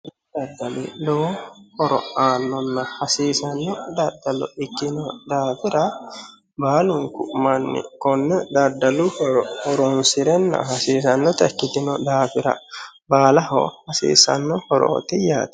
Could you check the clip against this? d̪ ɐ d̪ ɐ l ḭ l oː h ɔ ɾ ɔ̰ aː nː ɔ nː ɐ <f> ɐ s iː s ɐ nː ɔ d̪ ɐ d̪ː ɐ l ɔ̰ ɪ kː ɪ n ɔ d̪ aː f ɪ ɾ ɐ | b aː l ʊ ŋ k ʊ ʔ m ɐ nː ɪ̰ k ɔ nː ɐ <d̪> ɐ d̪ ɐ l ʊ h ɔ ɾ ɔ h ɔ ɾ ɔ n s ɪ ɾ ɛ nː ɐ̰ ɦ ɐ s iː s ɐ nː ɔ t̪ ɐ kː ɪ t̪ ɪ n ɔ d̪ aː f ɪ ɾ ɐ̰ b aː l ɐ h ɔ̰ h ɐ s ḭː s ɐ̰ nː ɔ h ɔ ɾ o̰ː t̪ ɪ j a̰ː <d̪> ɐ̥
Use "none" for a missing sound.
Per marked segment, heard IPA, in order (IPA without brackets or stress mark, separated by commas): h, d̪, t̪